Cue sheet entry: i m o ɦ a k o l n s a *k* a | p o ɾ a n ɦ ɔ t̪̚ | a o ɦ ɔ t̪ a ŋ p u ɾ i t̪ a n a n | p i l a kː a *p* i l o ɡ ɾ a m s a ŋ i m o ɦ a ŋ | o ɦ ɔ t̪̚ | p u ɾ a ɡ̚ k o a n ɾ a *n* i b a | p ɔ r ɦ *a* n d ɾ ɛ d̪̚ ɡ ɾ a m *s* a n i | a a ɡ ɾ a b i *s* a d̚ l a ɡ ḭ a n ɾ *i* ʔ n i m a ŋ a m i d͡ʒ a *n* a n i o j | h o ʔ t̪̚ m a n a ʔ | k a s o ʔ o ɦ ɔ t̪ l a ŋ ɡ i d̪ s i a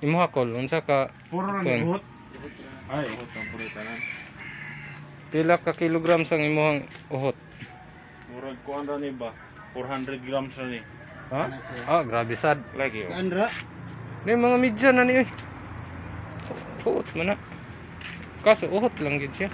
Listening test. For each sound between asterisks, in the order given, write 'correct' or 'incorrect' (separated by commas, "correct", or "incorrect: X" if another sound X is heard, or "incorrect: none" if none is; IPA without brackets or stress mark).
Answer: correct, incorrect: k, correct, correct, correct, correct, incorrect: a, correct